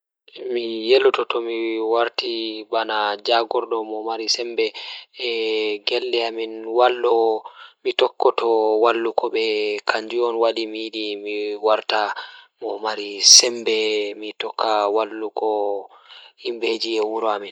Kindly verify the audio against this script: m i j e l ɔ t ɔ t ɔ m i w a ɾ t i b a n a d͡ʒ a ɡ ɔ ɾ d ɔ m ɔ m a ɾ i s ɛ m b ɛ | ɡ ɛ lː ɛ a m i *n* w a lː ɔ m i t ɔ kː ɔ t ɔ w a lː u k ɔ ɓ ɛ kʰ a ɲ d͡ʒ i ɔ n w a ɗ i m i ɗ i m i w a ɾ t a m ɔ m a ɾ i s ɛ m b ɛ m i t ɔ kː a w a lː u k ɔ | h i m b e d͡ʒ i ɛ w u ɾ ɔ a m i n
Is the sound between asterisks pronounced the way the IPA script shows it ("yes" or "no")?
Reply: yes